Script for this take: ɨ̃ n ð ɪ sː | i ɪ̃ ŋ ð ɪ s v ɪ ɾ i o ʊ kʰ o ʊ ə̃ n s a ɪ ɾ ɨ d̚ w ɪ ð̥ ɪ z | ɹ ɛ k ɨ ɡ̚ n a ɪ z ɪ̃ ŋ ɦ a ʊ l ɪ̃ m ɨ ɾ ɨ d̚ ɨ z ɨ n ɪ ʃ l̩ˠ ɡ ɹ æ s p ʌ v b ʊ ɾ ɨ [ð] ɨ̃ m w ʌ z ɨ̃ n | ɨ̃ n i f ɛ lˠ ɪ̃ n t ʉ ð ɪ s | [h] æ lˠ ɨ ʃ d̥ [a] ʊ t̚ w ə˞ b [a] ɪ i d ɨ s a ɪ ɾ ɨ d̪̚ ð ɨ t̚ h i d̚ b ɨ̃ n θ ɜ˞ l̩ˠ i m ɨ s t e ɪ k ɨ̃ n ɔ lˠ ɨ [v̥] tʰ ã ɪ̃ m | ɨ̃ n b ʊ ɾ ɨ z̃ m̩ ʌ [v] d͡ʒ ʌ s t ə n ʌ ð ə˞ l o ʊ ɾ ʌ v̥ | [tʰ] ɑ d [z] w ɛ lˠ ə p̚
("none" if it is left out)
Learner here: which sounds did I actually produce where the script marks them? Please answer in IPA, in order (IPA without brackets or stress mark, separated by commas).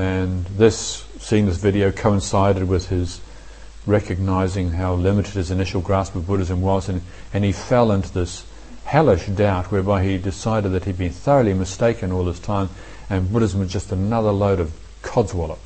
z, h, a, a, z̥, z, kʰ, z